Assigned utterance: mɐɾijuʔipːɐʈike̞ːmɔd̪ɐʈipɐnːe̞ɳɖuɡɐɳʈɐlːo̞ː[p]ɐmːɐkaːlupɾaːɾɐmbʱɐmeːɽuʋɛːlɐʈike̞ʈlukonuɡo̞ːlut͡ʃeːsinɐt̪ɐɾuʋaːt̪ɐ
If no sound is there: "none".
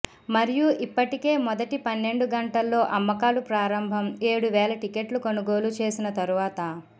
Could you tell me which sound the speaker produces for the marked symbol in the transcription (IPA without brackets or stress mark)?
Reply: ʔ